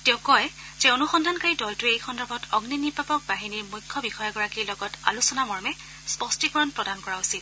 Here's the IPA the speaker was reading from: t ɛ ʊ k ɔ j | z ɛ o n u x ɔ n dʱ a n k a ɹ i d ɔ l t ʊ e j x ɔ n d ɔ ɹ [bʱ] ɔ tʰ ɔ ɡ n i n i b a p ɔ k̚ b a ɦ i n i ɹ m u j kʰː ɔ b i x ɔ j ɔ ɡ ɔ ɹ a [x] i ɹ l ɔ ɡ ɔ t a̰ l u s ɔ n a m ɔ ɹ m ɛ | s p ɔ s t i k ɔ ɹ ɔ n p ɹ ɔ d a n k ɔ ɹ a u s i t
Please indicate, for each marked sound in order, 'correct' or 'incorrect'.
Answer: correct, incorrect

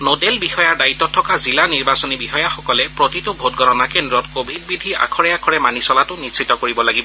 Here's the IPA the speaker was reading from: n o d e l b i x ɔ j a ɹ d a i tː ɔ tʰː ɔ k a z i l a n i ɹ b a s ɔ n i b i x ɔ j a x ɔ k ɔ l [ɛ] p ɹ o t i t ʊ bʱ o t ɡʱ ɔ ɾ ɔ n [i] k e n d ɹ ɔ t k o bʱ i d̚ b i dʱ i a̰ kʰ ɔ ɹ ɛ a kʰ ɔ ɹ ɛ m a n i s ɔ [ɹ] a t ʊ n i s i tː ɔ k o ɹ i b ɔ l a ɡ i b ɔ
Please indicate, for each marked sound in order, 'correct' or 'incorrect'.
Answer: correct, incorrect, incorrect

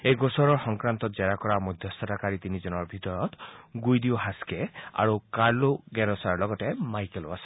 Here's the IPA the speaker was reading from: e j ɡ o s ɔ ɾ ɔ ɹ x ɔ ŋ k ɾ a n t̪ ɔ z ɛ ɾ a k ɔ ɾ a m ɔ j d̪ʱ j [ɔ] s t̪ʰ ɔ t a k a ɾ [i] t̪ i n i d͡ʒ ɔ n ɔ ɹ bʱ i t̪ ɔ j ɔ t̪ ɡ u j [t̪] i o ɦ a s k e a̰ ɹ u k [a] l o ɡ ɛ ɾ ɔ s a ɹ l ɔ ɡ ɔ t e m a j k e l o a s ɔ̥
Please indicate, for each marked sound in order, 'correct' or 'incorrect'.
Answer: correct, correct, incorrect, correct

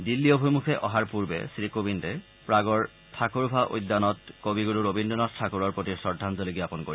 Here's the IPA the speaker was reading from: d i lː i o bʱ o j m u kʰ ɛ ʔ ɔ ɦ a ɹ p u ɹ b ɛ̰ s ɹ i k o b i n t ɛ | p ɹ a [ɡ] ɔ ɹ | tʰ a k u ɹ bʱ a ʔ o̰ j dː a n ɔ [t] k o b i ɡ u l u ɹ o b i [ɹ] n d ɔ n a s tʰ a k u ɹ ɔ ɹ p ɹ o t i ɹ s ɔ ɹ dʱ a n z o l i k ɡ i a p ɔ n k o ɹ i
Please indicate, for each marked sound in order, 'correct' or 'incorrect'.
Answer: correct, correct, incorrect

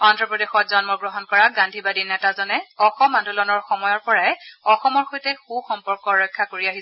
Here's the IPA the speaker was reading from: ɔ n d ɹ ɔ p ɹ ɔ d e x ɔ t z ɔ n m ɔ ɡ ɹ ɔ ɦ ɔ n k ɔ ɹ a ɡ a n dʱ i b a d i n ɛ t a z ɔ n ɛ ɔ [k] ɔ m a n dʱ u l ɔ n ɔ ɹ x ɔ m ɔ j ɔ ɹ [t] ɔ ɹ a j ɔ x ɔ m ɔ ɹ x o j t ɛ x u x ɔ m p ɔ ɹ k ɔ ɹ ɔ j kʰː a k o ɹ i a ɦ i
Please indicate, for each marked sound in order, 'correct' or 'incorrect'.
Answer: incorrect, incorrect

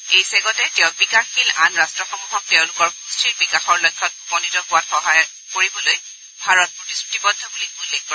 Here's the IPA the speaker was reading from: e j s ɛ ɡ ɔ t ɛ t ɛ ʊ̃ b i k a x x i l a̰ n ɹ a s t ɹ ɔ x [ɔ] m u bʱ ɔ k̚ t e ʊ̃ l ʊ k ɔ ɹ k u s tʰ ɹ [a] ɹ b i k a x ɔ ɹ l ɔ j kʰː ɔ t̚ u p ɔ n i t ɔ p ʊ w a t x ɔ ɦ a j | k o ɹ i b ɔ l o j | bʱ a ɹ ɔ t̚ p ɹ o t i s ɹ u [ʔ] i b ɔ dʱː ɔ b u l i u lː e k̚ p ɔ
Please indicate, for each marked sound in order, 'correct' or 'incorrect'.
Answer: correct, incorrect, incorrect

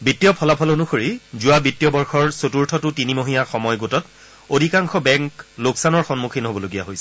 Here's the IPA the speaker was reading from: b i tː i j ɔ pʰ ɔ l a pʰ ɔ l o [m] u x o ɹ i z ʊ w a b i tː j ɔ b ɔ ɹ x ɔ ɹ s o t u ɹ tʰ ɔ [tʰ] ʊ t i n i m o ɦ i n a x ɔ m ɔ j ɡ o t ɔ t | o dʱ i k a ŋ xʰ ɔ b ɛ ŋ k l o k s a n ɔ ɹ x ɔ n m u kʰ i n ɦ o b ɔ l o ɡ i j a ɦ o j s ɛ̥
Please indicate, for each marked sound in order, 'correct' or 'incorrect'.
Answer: incorrect, incorrect

